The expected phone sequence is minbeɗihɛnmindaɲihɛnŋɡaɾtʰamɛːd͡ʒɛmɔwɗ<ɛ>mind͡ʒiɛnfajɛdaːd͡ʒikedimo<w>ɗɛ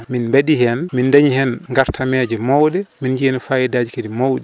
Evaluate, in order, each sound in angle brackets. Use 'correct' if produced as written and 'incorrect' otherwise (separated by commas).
correct, correct